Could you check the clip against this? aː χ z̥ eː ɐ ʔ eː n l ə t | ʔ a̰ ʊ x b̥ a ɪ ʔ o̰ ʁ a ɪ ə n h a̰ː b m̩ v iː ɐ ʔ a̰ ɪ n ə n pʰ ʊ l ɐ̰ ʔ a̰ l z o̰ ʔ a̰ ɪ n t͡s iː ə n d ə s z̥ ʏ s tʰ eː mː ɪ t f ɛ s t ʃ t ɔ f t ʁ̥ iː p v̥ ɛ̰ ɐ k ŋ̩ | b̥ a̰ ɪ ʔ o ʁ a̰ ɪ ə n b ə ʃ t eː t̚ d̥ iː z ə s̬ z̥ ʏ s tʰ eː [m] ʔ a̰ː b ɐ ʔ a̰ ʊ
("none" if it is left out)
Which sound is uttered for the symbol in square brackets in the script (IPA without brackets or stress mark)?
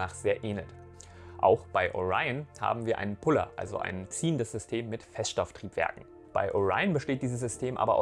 m